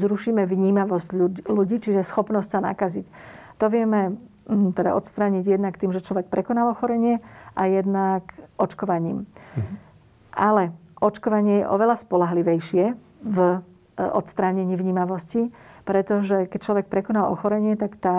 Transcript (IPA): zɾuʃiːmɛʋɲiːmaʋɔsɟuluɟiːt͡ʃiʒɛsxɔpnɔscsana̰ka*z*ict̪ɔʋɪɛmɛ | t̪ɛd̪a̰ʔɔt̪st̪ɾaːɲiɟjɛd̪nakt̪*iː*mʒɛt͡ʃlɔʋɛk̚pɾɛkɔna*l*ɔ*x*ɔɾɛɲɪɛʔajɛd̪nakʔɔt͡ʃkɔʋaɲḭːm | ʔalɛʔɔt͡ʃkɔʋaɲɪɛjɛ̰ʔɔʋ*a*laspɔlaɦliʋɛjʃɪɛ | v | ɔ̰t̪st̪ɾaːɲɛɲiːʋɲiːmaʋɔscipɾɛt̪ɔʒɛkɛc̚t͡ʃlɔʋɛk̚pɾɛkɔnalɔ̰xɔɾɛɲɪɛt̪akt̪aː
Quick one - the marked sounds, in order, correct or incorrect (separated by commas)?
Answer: correct, correct, correct, correct, incorrect